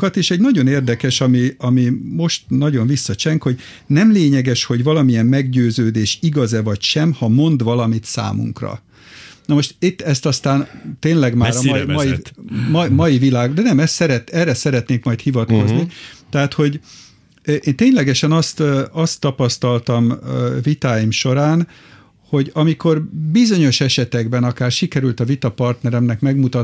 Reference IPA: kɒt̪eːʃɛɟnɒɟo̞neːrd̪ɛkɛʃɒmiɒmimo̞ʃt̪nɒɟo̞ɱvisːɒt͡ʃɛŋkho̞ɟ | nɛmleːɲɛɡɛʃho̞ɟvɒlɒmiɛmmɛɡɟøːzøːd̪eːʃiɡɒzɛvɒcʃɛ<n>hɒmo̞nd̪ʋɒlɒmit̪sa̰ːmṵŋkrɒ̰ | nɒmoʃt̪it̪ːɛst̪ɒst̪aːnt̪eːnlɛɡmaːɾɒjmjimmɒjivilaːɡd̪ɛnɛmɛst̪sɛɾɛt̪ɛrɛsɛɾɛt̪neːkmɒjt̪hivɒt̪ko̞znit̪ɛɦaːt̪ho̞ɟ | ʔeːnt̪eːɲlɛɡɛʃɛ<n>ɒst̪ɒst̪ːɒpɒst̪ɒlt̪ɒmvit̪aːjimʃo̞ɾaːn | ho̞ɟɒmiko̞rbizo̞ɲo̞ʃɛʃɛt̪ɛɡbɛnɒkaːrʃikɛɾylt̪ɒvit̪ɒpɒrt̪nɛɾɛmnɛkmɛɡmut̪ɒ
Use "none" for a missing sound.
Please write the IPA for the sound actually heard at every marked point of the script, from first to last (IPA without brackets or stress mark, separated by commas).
m, n